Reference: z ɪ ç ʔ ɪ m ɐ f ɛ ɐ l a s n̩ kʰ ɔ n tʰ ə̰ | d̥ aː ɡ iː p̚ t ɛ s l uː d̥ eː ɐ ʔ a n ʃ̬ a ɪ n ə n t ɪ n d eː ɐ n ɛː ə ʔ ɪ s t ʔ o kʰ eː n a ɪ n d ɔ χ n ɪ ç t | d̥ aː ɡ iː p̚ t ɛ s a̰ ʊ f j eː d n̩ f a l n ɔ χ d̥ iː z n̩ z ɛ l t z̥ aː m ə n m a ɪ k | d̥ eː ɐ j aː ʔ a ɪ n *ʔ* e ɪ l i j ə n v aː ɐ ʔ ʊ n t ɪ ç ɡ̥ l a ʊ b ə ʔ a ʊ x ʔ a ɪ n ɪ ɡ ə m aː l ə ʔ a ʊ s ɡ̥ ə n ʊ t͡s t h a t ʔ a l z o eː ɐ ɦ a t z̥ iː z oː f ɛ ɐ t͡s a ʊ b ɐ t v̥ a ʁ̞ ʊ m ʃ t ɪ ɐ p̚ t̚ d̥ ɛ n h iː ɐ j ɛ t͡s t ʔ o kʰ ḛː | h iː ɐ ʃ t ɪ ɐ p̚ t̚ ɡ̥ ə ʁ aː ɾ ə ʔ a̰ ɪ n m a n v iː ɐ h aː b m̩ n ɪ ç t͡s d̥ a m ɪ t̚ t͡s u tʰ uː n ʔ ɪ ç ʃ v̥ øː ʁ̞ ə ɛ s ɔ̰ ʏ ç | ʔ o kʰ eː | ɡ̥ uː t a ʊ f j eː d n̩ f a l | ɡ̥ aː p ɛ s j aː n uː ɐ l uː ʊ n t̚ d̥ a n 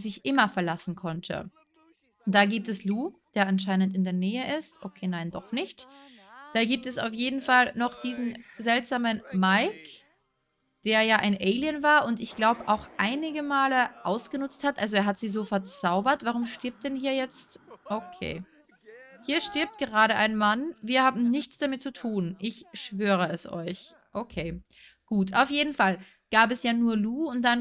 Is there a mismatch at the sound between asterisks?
no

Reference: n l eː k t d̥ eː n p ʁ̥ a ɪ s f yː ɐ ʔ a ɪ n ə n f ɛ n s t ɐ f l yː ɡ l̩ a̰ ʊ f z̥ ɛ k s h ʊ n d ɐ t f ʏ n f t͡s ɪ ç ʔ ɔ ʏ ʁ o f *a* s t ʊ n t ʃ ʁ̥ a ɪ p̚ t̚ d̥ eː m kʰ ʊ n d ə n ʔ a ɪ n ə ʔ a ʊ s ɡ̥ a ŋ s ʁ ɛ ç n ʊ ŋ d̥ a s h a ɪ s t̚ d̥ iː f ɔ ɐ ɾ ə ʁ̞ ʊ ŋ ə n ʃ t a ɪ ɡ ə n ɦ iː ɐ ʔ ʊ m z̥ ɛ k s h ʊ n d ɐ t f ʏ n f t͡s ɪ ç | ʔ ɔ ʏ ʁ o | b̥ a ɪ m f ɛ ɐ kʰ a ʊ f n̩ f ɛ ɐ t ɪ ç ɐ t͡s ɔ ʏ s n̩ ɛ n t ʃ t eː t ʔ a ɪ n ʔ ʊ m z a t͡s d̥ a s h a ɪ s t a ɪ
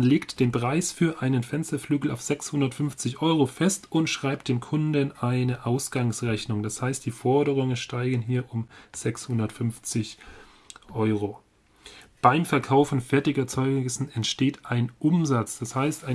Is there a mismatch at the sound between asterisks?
yes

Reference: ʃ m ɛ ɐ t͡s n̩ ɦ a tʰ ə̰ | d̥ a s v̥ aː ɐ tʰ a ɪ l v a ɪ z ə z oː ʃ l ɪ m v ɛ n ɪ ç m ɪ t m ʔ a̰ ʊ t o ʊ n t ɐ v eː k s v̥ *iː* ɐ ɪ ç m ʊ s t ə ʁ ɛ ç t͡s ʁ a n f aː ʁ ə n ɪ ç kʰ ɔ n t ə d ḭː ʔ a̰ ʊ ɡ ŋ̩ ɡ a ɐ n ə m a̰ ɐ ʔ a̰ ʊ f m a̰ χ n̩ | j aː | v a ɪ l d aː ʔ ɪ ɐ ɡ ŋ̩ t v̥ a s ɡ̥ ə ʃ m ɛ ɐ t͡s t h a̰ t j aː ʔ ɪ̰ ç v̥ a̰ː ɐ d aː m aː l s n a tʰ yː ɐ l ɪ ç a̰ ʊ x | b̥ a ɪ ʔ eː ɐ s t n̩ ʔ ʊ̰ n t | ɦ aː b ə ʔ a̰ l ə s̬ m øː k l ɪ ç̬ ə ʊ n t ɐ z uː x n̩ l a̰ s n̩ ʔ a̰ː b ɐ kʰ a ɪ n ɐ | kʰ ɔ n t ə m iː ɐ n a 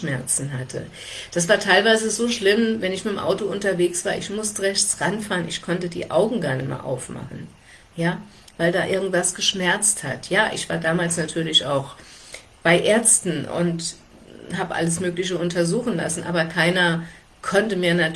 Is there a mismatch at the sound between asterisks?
yes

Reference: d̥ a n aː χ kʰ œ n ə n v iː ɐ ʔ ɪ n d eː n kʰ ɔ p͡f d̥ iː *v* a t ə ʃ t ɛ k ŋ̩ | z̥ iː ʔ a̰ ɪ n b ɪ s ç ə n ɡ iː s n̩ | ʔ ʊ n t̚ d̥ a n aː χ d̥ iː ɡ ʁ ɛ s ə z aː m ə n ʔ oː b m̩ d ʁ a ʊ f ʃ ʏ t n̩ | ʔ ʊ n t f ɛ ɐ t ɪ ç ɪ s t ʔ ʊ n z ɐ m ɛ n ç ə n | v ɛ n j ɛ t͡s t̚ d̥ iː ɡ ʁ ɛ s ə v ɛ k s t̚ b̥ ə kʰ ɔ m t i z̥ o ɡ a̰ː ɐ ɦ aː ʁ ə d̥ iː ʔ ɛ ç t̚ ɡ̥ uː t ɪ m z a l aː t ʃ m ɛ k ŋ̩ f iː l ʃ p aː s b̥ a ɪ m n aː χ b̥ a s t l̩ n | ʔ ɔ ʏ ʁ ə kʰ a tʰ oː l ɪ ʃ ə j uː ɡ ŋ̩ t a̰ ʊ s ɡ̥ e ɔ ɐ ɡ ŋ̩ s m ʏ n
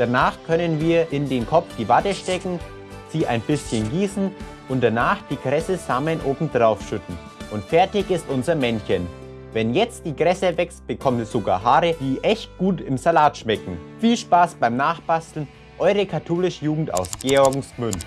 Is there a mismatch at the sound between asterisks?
no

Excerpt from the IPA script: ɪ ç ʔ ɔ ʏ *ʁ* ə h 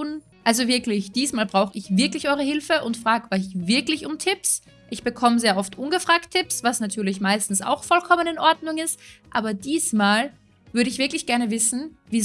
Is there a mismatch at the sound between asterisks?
no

